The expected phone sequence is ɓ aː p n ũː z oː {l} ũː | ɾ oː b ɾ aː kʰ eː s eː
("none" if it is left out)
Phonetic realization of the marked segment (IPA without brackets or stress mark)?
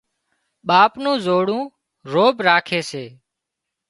ɽ